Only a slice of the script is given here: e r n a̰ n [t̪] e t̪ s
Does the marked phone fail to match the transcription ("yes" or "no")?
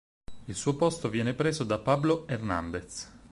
yes